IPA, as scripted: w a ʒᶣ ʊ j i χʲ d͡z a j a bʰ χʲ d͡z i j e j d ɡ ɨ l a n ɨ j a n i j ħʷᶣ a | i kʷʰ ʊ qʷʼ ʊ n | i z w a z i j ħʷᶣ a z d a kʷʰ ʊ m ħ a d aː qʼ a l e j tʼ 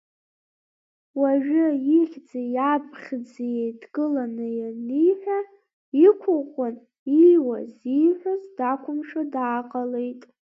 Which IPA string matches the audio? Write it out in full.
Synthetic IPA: w a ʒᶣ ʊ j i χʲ d͡z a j a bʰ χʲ d͡z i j e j d ɡ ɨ l a n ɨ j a n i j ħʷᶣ a | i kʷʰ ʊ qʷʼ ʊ n | i w a z i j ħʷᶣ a z d a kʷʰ ʊ m ʂ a d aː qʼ a l e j tʼ